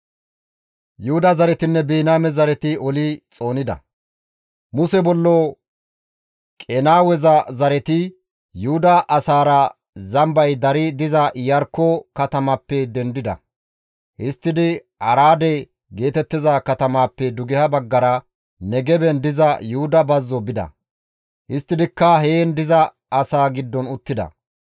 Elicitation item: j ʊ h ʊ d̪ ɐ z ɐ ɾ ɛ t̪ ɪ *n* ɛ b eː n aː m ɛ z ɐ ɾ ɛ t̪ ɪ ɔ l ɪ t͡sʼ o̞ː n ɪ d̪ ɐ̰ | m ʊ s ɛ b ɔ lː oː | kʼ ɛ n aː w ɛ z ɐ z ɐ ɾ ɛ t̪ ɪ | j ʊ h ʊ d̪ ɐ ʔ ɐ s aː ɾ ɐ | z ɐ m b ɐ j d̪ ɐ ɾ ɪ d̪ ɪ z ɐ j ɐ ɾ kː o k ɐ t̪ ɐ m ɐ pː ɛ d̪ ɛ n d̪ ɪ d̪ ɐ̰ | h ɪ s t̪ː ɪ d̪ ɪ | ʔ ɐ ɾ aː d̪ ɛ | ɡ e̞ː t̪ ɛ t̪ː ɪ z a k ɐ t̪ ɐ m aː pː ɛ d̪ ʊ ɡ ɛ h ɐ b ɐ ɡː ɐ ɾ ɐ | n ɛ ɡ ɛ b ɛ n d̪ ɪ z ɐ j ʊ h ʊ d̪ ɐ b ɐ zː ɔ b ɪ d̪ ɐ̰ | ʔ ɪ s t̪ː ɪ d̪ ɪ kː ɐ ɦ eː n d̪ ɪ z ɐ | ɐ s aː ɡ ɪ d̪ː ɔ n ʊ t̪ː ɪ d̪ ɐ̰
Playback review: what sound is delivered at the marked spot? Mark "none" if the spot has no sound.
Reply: nː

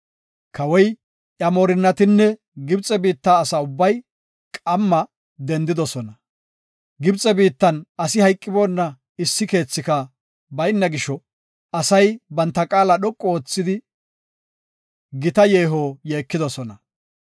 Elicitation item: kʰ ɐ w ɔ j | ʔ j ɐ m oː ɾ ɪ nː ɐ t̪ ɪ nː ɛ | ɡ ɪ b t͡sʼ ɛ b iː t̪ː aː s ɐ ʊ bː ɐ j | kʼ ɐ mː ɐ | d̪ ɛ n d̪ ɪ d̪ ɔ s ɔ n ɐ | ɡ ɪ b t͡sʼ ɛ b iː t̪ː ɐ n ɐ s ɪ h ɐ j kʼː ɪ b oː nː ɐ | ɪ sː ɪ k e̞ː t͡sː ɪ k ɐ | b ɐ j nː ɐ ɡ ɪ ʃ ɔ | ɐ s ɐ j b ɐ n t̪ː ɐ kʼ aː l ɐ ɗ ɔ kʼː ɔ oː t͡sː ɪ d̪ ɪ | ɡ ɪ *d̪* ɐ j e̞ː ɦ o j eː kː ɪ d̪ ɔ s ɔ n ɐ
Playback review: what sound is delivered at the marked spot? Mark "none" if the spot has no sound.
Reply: t̪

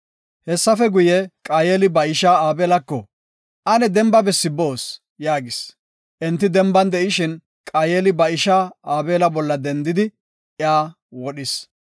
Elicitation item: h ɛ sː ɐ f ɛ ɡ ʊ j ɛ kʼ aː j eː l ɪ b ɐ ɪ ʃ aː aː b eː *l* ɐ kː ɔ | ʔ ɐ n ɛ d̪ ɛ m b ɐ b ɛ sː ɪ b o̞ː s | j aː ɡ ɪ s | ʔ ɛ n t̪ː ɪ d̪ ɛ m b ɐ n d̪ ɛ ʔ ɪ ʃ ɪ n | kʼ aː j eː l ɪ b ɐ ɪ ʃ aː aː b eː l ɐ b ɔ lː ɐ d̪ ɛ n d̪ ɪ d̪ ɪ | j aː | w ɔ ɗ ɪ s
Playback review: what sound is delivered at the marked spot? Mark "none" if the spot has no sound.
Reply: l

